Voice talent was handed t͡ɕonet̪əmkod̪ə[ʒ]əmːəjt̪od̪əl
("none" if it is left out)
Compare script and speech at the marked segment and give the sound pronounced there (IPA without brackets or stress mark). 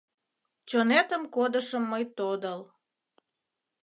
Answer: ʃ